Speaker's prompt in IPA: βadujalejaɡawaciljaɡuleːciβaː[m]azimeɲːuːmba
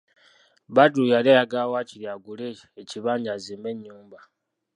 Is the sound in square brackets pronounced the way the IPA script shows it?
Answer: no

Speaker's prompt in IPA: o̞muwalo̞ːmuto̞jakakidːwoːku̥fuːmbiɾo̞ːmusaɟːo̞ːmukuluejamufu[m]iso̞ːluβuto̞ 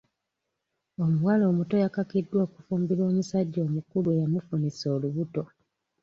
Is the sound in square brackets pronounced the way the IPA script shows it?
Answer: no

